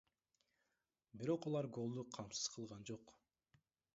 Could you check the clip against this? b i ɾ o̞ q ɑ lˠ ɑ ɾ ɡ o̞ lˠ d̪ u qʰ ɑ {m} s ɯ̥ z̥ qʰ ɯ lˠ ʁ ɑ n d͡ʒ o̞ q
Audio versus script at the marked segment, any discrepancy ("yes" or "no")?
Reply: no